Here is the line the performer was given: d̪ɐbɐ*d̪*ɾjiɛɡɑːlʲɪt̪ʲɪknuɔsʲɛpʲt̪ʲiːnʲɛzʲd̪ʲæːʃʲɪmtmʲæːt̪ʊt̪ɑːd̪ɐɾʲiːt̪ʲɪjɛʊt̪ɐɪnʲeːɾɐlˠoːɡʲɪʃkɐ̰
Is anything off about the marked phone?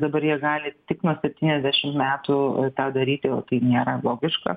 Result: yes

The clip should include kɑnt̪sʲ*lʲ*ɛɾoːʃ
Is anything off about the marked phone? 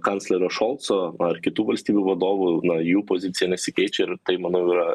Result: no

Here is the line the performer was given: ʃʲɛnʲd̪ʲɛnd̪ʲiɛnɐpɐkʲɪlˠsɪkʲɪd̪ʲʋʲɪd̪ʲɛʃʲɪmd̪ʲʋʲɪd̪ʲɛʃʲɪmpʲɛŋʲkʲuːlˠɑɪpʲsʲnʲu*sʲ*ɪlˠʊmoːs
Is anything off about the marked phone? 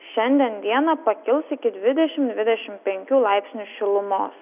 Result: yes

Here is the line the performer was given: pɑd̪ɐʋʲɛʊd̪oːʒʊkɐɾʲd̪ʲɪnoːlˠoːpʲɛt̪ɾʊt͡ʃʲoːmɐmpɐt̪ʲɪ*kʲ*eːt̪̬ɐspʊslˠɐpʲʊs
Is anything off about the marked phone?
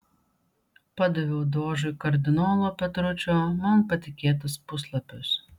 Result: no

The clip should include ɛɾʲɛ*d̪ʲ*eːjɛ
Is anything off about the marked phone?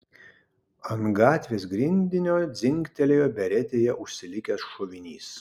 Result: yes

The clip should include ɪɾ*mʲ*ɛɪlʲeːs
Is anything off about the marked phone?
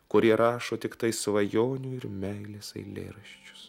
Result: no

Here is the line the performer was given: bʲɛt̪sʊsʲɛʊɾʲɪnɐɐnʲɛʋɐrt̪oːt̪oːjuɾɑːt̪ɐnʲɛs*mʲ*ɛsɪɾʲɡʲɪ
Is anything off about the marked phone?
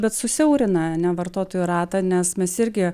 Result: no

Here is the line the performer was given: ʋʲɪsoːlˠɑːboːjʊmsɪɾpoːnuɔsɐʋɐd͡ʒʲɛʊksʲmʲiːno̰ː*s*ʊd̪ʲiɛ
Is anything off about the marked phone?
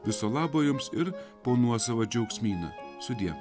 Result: no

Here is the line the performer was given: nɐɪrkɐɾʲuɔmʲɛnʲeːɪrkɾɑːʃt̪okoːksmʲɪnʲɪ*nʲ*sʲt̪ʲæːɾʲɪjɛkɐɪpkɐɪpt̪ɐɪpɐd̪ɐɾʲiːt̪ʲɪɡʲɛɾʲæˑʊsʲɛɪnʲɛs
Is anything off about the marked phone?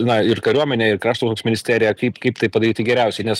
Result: yes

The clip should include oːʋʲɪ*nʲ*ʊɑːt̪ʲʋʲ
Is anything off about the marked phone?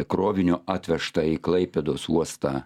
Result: no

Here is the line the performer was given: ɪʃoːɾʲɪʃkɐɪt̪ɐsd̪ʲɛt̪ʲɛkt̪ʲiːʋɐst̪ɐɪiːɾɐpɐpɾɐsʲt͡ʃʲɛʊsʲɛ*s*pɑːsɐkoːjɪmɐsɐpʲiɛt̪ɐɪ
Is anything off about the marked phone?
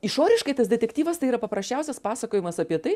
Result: no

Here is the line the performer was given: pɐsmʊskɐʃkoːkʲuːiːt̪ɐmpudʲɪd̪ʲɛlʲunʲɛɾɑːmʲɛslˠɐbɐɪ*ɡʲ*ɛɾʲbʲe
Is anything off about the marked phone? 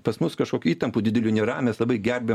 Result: no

